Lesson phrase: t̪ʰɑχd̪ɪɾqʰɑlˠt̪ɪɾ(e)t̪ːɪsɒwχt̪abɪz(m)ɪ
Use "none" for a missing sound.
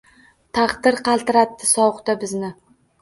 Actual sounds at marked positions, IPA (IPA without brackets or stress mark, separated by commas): a, n